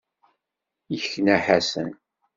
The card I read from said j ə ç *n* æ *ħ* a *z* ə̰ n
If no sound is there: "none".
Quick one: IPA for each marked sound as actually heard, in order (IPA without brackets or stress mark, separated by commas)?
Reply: n, ħ, s